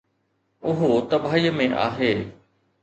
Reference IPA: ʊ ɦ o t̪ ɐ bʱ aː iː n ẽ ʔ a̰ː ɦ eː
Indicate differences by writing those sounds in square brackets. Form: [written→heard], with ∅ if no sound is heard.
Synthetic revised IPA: ʊ ɦ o t̪ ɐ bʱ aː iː [n→m] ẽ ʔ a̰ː ɦ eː